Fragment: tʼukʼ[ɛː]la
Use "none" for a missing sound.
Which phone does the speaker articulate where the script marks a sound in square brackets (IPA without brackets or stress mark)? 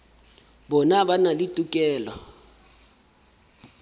ɛː